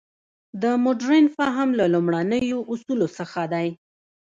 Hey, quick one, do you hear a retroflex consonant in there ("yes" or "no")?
yes